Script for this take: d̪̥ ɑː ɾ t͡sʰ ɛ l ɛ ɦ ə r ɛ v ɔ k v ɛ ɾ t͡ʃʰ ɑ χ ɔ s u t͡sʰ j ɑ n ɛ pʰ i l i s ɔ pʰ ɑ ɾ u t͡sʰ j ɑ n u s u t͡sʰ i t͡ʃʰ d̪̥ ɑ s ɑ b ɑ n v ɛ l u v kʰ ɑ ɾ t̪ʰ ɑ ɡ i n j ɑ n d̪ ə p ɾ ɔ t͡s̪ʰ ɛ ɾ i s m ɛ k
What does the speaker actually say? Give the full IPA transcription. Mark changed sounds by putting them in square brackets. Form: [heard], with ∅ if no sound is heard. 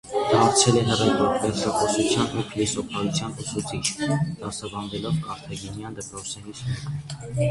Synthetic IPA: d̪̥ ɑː ɾ t͡sʰ ɛ l ɛ ɦ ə r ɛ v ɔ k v ɛ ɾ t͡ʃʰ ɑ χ ɔ s u t͡sʰ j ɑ n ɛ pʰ i l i s ɔ pʰ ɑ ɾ u t͡sʰ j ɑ n u s u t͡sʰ i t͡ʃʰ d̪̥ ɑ s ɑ b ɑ n v ɛ l [ɔ] v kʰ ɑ ɾ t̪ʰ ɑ ɡ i n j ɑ n d̪ ə p ɾ ɔ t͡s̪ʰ ɛ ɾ i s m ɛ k